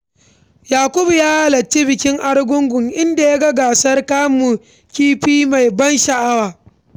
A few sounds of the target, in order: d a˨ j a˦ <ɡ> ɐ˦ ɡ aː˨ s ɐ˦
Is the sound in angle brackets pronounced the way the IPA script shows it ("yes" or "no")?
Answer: yes